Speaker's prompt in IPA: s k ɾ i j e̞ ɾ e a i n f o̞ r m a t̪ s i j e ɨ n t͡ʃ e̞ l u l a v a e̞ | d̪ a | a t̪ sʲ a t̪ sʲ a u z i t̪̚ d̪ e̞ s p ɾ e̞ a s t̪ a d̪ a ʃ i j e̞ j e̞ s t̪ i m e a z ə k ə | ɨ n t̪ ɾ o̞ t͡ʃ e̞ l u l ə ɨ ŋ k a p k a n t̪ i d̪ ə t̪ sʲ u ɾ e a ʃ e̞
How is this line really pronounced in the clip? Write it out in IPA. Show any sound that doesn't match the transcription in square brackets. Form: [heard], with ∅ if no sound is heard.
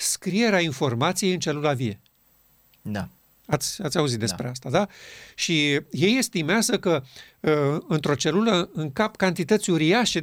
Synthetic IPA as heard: s k ɾ i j e̞ ɾ e a i n f o̞ r m a t̪ s i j e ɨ n t͡ʃ e̞ l u l a v [i] e̞ | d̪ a | a t̪ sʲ a t̪ sʲ a u z i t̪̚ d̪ e̞ s p ɾ e̞ a s t̪ a d̪ a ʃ i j e̞ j e̞ s t̪ i m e a z ə k ə | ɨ n t̪ ɾ o̞ t͡ʃ e̞ l u l ə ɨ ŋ k a p k a n t̪ i [t̪] ə t̪ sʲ u ɾ [i] a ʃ e̞